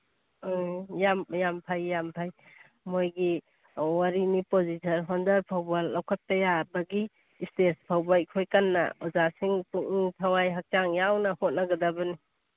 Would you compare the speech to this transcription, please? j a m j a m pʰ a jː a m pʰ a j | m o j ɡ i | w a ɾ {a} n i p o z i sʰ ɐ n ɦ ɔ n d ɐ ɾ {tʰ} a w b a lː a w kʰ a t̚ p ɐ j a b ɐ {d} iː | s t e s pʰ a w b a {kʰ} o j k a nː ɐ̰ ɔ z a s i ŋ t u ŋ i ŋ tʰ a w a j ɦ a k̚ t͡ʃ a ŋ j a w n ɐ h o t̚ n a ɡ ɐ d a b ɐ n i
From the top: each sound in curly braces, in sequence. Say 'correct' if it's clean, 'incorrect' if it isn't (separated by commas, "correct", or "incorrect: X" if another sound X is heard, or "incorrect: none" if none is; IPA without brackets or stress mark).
incorrect: i, incorrect: pʰ, incorrect: ɡ, correct